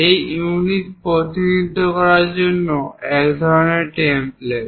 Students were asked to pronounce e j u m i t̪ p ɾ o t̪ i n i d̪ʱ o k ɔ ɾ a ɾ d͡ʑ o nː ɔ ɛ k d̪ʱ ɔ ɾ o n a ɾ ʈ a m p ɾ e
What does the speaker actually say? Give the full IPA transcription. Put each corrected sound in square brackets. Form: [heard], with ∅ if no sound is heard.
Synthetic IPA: e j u [n] i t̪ p ɾ o t̪ i n i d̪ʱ o k ɔ ɾ a ɾ d͡ʑ o nː [o] ɛ k d̪ʱ ɔ ɾ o n [e] ɾ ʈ [e] m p [l] e